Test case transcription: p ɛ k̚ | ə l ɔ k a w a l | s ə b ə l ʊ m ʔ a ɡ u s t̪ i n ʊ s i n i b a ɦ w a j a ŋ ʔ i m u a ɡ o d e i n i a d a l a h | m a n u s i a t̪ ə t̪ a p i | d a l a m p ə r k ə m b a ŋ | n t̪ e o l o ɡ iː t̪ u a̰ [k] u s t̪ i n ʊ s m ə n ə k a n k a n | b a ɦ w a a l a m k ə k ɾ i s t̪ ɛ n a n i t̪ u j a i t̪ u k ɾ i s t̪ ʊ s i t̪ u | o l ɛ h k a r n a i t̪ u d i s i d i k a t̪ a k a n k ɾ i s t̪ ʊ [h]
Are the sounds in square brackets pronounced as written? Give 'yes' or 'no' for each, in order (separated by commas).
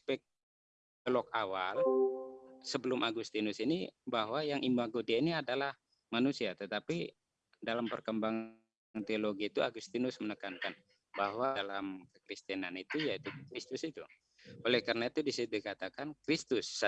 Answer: no, no